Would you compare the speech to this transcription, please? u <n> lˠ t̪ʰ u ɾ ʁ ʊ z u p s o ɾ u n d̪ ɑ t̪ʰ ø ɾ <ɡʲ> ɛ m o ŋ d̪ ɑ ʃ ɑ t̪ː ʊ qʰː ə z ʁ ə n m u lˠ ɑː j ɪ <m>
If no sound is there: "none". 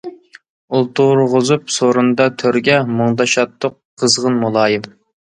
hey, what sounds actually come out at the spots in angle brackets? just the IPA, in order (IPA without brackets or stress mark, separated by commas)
none, ɡʲ, m